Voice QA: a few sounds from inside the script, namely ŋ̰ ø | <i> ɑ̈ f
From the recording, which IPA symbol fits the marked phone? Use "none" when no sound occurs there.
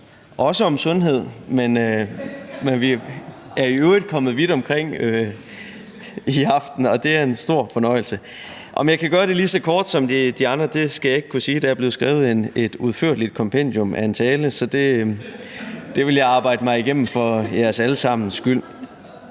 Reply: i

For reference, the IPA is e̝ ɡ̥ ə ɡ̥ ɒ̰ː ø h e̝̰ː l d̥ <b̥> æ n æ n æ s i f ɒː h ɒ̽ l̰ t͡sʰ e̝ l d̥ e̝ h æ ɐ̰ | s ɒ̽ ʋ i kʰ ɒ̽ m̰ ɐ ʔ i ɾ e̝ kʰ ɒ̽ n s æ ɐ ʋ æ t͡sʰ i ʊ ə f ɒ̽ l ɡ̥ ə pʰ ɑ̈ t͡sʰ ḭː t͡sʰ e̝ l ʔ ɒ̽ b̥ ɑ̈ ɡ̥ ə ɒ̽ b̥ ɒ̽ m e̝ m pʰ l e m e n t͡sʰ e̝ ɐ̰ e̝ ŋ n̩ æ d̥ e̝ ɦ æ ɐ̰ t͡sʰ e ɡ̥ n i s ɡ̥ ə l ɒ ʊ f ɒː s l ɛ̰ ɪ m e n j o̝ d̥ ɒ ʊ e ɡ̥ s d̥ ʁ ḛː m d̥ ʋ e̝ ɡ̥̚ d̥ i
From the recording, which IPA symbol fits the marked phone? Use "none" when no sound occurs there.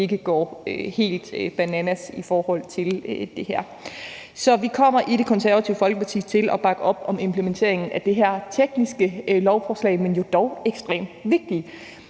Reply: b̥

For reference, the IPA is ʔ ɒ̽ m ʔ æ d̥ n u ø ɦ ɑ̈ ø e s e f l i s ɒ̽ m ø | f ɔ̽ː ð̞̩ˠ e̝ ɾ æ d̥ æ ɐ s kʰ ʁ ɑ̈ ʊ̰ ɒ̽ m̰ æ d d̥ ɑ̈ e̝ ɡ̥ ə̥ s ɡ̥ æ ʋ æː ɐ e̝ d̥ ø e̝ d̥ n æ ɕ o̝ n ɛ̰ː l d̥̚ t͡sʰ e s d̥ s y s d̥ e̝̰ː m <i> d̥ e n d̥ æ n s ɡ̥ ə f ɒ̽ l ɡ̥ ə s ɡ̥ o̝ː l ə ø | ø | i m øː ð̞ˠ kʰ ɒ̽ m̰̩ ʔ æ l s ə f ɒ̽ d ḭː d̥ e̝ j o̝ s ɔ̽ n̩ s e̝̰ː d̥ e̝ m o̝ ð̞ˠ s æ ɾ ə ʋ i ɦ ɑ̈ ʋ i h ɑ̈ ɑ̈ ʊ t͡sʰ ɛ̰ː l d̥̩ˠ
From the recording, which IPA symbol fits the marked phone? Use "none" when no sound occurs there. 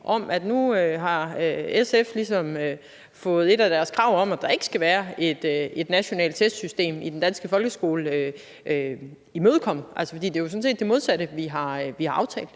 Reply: i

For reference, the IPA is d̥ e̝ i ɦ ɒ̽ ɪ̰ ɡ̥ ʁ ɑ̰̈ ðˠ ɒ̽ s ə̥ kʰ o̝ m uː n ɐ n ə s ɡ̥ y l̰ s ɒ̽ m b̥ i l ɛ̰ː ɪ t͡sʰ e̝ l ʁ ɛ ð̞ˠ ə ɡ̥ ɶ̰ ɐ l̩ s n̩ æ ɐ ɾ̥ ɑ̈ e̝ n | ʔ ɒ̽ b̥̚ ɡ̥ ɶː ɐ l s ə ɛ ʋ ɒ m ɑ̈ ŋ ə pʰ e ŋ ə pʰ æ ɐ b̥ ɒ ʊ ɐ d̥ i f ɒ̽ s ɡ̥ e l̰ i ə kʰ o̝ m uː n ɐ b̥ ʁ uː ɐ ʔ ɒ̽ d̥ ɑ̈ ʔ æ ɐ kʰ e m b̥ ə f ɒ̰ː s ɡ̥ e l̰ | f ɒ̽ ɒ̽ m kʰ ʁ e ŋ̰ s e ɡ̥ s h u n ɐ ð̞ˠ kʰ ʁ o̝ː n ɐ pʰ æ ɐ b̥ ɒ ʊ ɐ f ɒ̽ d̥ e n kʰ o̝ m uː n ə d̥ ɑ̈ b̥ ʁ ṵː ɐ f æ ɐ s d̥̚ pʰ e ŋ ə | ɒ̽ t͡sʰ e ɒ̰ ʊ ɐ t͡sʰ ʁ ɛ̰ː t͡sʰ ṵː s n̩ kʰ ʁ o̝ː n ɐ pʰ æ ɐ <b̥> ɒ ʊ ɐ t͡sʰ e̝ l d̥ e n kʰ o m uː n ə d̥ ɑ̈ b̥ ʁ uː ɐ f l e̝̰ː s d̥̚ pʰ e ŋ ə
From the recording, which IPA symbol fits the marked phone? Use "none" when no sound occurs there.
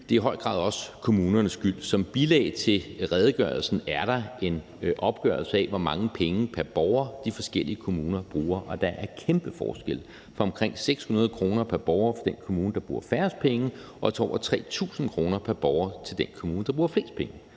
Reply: b̥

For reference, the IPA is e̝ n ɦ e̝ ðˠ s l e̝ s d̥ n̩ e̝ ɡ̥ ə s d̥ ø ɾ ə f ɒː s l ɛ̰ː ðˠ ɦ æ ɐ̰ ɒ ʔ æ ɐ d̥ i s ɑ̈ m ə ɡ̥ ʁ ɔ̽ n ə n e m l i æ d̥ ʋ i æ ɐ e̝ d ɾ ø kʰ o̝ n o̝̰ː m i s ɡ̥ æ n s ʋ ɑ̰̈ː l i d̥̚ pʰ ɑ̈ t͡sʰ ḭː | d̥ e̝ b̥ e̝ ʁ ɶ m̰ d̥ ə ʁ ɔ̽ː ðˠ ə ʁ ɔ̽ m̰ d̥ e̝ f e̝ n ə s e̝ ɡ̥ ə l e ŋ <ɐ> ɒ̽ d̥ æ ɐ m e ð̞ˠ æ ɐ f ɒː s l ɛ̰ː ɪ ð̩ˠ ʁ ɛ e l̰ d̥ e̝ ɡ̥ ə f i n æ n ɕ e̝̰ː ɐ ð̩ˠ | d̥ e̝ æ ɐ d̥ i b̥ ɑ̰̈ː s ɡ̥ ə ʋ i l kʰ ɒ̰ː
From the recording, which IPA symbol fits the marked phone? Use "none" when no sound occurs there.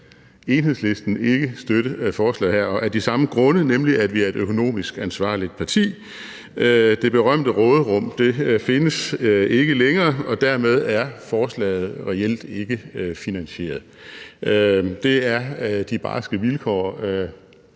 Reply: ɐː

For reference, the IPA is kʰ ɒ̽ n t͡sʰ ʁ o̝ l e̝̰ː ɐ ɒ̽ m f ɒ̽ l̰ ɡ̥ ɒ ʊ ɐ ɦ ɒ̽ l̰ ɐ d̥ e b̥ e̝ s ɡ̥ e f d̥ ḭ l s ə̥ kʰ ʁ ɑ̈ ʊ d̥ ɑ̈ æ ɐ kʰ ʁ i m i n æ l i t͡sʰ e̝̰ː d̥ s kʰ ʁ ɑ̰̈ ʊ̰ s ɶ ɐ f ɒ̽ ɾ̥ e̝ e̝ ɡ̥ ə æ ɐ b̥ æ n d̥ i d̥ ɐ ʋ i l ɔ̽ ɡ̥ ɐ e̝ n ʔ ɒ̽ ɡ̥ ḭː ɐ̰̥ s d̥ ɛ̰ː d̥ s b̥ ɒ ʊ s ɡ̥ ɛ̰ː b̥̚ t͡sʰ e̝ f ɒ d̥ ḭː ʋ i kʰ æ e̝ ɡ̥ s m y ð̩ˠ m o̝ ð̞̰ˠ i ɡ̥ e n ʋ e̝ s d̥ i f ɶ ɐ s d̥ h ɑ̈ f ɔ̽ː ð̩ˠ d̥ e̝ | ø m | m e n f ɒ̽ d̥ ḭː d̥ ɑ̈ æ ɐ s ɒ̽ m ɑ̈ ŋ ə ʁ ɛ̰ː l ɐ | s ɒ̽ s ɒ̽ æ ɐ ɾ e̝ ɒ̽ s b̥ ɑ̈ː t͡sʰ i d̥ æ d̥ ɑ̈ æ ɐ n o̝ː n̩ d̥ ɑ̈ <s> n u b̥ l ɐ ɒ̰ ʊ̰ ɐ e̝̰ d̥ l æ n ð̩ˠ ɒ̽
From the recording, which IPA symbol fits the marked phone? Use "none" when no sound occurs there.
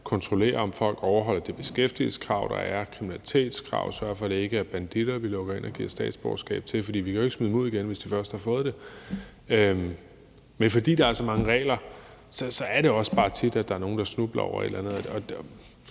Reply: s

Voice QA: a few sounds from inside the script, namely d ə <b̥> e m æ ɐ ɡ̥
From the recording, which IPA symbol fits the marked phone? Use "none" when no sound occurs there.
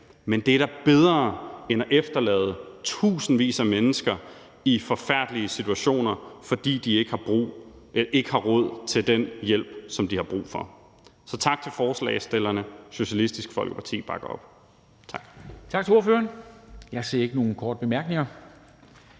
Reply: b̥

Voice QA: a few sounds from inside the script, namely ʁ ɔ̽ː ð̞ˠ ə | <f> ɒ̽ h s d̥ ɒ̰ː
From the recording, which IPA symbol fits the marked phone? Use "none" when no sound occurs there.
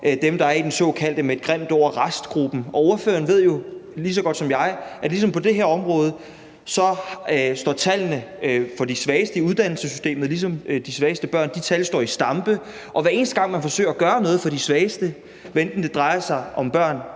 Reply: s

